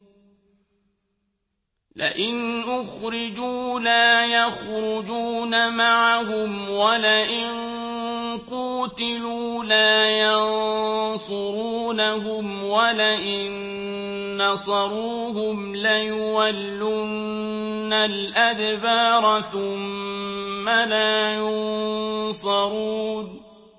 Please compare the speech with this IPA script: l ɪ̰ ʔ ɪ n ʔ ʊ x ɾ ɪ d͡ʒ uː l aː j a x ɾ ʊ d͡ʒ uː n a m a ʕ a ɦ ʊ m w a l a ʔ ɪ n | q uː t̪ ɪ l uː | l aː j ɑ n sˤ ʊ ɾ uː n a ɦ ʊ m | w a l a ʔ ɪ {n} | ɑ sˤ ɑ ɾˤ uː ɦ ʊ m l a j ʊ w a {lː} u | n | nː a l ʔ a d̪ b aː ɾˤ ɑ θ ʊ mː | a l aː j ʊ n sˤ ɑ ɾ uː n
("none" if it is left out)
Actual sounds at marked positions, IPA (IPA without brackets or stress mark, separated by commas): nː, lː